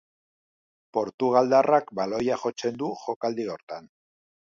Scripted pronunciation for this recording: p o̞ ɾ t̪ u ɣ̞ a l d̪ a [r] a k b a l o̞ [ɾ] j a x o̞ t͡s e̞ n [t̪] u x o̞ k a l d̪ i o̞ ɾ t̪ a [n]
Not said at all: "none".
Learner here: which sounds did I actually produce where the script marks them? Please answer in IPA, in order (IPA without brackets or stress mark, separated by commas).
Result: r, none, d̪, n